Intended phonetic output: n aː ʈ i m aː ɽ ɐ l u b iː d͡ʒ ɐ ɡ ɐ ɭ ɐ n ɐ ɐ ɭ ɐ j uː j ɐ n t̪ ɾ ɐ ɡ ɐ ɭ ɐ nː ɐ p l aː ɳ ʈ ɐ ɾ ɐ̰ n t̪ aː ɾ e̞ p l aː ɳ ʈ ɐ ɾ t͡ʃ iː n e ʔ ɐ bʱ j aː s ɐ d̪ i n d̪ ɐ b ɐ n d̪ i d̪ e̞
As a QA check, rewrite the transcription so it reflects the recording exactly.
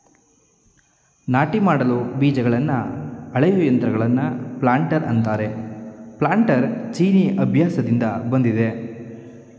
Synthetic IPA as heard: n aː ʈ i m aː ɽ ɐ l u b iː d͡ʒ ɐ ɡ ɐ ɭ ɐ nː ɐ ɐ ɭ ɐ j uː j ɐ n t̪ ɾ ɐ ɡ ɐ ɭ ɐ nː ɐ p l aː ɳ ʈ ɐ ɾ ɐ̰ n t̪ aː ɾ e̞ p l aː ɳ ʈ ɐ ɾ t͡ʃ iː n i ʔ ɐ bʱ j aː s ɐ d̪ i n d̪ ɐ b ɐ n d̪ i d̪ e̞